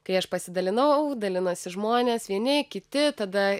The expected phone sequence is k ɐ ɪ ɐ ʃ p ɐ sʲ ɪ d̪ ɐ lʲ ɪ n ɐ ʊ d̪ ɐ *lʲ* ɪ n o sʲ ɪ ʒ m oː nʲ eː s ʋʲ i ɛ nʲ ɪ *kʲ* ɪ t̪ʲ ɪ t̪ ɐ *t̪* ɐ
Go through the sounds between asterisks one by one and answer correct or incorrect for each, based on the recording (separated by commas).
correct, correct, incorrect